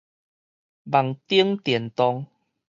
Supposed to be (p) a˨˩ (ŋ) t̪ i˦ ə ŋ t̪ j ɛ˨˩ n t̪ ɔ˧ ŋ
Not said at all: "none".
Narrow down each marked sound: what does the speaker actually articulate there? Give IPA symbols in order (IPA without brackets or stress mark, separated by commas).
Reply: b, ŋ